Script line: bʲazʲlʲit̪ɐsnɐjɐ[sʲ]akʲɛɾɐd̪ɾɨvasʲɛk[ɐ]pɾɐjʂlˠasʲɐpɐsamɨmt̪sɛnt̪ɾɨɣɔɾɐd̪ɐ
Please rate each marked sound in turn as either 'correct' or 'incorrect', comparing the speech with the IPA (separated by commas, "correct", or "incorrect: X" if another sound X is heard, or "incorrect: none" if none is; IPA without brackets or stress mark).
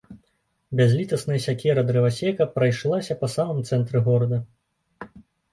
correct, correct